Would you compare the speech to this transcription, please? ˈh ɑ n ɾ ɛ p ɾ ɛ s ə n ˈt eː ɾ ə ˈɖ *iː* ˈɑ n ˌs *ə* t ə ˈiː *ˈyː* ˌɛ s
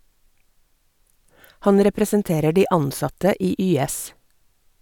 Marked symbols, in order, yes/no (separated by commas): yes, no, yes